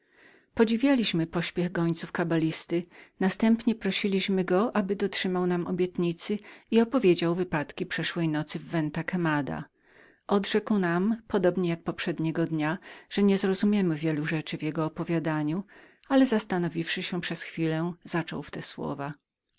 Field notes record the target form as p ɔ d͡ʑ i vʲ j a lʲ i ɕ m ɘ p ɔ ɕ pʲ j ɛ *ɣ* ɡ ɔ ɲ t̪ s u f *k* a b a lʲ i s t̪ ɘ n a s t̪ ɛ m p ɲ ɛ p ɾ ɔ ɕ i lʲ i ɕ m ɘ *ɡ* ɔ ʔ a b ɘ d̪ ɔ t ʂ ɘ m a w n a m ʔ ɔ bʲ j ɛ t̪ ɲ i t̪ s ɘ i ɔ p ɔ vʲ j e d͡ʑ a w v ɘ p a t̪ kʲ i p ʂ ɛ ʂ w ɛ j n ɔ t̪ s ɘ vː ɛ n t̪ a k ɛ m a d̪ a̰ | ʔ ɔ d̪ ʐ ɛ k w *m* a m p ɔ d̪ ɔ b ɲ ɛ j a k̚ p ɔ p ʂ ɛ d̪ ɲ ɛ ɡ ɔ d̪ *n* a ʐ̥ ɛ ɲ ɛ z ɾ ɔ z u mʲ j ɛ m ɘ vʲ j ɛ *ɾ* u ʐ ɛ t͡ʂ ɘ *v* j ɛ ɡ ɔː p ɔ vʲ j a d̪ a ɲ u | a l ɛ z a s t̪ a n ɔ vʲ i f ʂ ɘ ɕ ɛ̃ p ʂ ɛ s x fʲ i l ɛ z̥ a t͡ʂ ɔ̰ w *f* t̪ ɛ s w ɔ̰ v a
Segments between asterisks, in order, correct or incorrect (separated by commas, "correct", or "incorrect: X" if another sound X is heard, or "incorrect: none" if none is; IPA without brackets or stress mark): correct, correct, correct, incorrect: n, incorrect: ɲ, incorrect: l, correct, correct